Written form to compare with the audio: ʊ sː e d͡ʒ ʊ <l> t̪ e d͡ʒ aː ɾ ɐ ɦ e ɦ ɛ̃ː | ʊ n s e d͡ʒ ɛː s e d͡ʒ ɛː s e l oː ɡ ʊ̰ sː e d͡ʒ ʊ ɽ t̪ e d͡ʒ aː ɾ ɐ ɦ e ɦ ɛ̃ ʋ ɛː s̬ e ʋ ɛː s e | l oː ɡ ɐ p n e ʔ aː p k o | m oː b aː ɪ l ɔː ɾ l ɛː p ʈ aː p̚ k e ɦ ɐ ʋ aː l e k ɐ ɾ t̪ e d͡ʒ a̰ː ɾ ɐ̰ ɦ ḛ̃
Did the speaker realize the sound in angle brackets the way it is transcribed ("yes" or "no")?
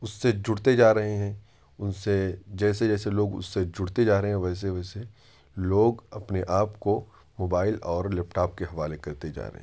no